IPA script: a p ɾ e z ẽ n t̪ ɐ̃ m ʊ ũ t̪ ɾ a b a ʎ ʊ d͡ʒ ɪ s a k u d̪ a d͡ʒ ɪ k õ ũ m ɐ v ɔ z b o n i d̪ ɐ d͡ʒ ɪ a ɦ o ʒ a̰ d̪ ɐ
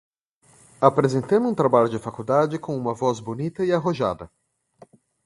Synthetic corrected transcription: a p ɾ e z ẽ n t̪ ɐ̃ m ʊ ũ t̪ ɾ a b a ʎ ʊ d͡ʒ ɪ f a k u d̪ a d͡ʒ ɪ k õ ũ m ɐ v ɔ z b o n i t̪ ɐ ɪ a ɦ o ʒ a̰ d̪ ɐ